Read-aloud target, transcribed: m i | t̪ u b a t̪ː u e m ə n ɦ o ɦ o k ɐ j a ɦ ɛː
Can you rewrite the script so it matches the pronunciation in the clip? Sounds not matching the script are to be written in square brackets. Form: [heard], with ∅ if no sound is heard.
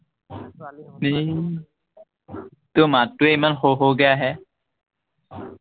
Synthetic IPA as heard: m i | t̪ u [m] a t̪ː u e m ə n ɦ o ɦ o [ɡ] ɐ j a ɦ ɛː